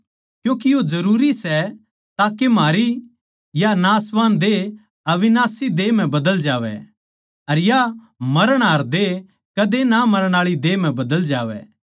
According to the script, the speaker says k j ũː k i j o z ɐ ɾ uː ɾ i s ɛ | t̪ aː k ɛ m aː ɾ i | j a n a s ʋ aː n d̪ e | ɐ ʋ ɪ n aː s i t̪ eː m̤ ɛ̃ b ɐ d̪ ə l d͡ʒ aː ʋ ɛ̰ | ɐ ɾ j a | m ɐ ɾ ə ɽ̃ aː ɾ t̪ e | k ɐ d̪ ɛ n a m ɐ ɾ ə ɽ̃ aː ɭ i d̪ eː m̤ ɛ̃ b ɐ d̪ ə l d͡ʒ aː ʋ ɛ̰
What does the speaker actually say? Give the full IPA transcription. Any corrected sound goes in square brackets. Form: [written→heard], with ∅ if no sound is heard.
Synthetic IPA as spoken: k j ũː k i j o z ɐ ɾ uː ɾ i s ɛ | t̪ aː k [ɛ→e] m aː ɾ i | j a n a s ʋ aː n d̪ e | ɐ ʋ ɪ n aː s i [t̪→d̪] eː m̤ ɛ̃ b ɐ d̪ ə l d͡ʒ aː ʋ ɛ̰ | ɐ ɾ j a | m ɐ ɾ ə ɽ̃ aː ɾ [t̪→d̪] e | k ɐ d̪ [ɛ→e] n a m ɐ ɾ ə ɽ̃ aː ɭ i d̪ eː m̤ ɛ̃ b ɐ d̪ ə l d͡ʒ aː ʋ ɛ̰